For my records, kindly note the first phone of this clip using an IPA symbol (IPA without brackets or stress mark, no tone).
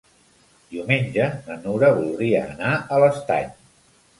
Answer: d̪